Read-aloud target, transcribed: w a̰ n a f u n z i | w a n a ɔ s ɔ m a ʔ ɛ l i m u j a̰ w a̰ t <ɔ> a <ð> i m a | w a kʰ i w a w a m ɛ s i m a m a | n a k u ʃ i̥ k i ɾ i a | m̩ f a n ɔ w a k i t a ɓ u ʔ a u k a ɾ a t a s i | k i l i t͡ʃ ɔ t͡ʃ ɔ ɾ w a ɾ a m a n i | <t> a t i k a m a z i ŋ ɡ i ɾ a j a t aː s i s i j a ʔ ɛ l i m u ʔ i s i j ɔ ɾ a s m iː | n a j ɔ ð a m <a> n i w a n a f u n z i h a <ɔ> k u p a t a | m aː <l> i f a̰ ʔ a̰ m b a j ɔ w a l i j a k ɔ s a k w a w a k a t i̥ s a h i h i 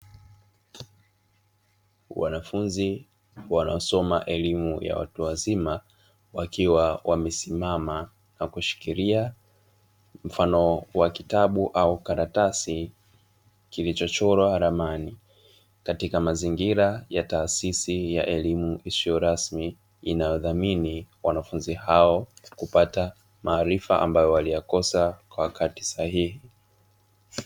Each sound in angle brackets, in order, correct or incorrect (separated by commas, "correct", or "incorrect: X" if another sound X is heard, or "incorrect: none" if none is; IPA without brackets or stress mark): incorrect: u, incorrect: z, incorrect: k, incorrect: i, correct, incorrect: ɾ